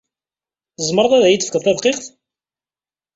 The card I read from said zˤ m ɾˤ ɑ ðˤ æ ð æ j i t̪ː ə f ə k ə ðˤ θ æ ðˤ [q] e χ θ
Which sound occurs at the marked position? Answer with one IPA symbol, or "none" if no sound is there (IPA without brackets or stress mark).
q